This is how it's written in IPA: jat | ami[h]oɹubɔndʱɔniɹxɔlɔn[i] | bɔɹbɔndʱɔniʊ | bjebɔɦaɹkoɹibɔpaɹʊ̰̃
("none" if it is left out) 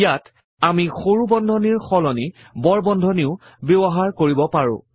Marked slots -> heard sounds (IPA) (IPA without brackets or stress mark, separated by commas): x, i